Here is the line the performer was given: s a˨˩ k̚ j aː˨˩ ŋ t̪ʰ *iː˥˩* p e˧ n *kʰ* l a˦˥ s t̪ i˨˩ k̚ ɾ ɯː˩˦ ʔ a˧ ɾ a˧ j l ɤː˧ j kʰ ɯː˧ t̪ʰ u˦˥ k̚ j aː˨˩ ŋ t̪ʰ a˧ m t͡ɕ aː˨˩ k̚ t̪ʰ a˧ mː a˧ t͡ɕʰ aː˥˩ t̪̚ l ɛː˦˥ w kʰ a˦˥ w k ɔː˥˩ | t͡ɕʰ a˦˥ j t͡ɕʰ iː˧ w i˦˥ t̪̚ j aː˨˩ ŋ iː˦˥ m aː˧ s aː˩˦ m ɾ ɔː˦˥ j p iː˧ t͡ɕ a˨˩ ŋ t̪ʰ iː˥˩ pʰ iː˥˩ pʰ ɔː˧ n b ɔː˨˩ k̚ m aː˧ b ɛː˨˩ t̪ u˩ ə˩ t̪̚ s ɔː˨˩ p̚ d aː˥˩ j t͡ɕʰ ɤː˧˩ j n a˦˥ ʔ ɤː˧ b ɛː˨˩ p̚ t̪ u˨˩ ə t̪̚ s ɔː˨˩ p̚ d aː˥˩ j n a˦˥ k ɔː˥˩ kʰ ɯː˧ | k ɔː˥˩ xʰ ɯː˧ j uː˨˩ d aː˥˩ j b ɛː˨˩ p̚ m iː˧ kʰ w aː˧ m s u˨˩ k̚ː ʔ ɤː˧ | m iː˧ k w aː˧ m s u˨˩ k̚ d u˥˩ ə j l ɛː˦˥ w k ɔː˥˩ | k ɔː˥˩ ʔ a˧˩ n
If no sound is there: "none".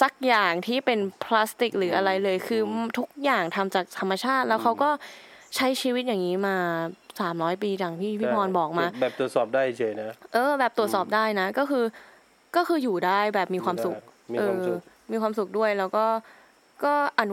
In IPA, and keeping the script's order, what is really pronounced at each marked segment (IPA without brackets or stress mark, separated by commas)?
iː˥˩, pʰ